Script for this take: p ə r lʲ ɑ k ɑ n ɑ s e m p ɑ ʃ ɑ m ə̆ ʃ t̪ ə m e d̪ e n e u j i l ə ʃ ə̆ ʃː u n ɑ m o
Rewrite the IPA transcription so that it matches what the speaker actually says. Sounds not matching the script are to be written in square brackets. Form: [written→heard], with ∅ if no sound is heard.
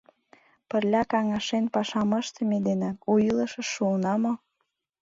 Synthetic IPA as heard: p ə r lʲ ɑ k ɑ [n→ŋ] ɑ [s→ʃ] e [m→n] p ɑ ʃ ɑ m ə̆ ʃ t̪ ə m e d̪ e n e u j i l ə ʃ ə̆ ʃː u n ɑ m o